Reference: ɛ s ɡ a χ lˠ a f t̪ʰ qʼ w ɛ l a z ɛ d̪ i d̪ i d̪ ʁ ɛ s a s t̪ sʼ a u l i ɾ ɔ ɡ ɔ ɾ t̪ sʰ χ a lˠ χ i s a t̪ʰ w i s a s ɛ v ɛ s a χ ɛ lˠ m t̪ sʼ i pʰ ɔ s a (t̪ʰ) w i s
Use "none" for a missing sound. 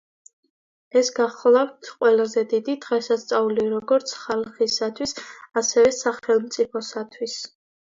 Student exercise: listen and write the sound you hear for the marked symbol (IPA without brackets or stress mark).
t̪ʰ